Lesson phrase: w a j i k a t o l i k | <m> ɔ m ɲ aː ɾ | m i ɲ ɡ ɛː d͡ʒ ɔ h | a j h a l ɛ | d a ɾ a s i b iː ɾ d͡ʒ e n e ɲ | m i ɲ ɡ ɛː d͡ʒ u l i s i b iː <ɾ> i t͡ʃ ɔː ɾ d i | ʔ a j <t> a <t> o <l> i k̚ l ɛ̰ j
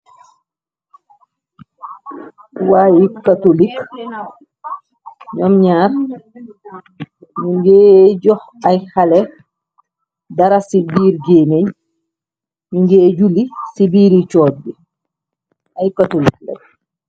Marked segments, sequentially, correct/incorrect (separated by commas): incorrect, correct, incorrect, correct, correct